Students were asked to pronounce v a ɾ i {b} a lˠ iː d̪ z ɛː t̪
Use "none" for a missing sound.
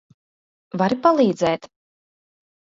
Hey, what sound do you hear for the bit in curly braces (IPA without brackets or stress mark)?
p